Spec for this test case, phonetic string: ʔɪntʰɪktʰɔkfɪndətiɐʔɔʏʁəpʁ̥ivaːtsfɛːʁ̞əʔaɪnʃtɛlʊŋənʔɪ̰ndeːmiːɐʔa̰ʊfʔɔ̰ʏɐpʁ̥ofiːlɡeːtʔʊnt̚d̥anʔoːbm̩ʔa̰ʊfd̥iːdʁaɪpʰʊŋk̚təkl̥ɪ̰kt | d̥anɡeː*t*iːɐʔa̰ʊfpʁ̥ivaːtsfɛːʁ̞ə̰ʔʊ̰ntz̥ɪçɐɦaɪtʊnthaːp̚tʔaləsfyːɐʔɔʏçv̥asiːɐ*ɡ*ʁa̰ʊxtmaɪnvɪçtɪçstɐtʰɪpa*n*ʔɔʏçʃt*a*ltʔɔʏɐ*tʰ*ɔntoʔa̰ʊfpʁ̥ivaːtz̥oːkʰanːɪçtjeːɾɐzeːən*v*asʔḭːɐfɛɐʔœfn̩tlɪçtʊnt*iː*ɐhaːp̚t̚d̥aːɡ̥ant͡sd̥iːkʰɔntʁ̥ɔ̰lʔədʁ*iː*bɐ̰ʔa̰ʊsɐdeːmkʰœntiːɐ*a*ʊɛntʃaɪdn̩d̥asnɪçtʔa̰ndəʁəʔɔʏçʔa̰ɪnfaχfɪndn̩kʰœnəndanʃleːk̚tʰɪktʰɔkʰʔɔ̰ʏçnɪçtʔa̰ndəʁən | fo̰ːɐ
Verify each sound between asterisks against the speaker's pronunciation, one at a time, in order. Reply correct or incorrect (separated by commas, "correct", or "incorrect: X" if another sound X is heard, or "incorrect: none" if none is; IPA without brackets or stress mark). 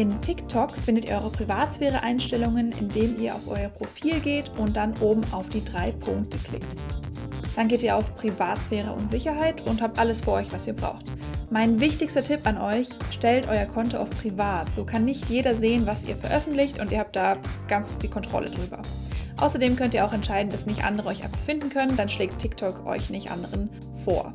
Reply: correct, incorrect: b, correct, incorrect: ɛ, incorrect: kʰ, correct, correct, incorrect: yː, correct